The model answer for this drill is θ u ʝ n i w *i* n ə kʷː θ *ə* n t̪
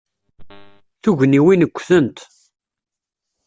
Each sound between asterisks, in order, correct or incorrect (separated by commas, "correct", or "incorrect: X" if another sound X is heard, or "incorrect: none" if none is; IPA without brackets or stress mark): correct, correct